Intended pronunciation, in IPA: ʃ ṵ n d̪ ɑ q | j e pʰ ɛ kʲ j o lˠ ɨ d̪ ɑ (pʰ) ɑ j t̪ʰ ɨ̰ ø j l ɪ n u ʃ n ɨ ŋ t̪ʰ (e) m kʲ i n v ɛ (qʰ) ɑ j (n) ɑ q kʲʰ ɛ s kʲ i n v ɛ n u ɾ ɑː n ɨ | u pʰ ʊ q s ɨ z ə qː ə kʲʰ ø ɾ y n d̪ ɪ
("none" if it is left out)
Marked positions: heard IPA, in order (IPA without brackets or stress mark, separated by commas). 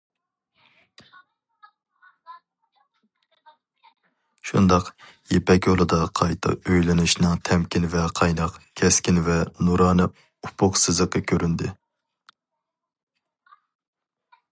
qʰ, ɛ, qʰ, n